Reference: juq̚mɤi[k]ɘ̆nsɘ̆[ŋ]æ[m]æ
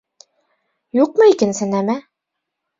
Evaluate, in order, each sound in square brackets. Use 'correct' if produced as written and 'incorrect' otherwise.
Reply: correct, incorrect: n, correct

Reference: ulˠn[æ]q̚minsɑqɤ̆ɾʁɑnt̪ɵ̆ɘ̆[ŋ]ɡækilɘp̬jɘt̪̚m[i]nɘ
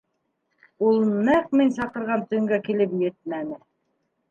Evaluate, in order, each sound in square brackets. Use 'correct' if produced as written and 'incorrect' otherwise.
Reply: correct, correct, incorrect: æ

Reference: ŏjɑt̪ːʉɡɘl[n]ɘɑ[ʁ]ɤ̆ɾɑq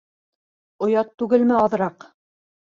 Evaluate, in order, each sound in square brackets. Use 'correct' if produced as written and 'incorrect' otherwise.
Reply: incorrect: m, incorrect: ð

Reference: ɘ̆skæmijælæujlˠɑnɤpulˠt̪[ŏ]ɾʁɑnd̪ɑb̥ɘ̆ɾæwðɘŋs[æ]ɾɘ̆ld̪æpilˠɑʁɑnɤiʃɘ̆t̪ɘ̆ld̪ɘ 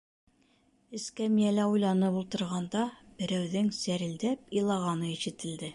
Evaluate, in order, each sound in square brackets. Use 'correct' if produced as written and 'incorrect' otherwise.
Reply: incorrect: ɤ̆, correct

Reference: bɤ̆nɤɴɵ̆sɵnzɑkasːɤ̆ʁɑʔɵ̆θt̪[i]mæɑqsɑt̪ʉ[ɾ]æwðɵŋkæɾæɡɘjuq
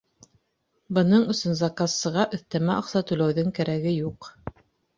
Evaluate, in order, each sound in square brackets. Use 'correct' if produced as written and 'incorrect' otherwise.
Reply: incorrect: æ, incorrect: l

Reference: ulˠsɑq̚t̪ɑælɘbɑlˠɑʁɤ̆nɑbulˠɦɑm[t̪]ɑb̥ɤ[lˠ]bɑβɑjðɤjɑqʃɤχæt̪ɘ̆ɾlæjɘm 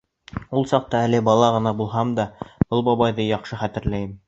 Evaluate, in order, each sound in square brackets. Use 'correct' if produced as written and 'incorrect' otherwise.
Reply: incorrect: d̪, correct

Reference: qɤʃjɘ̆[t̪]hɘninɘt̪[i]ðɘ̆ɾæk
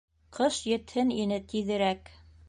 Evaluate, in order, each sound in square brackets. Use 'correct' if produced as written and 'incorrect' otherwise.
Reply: correct, correct

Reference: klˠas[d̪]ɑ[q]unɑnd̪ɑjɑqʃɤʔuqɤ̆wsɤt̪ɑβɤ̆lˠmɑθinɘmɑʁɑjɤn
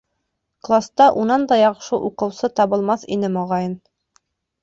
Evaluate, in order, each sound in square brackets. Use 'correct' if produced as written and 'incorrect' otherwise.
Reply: incorrect: t̪, incorrect: ʔ

